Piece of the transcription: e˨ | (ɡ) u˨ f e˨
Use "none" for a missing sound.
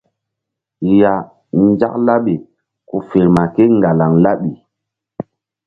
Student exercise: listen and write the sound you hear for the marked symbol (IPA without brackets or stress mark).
k